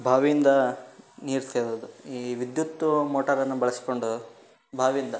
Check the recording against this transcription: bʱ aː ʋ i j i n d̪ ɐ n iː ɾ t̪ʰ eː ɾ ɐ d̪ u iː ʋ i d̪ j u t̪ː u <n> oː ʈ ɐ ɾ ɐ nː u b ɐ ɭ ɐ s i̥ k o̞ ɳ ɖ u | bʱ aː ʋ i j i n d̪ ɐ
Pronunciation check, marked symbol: incorrect: m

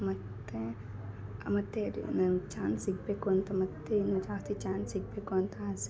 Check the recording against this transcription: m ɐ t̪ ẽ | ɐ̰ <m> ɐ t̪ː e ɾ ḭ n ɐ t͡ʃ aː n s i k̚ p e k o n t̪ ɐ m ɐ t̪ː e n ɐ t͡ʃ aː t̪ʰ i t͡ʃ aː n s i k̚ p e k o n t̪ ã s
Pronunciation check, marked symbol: correct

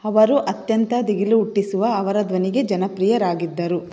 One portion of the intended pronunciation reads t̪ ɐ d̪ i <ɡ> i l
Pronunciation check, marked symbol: correct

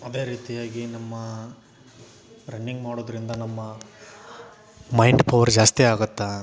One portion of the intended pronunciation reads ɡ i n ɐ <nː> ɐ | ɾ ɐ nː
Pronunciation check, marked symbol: incorrect: mː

